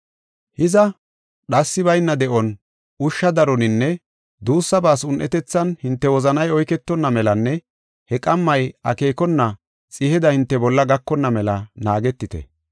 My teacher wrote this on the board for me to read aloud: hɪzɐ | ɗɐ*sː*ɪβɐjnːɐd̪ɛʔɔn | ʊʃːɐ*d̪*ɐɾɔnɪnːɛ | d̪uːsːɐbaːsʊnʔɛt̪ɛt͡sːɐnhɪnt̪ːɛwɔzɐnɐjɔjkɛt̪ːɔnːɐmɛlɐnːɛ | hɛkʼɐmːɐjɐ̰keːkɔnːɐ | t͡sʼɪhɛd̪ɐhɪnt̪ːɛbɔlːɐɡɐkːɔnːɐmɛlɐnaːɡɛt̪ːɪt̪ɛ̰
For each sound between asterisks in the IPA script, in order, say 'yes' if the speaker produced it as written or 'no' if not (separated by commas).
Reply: yes, yes